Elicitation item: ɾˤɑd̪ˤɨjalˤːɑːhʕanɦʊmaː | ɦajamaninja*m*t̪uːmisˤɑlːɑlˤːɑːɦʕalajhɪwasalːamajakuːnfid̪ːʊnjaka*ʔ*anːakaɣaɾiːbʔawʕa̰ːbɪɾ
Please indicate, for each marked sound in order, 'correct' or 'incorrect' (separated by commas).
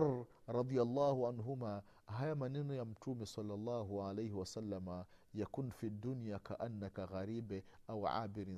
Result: correct, correct